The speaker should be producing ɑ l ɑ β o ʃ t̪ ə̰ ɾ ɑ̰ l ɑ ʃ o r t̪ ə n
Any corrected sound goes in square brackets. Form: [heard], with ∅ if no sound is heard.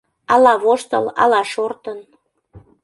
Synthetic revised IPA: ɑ l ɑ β o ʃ t̪ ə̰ [l] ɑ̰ l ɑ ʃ o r t̪ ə n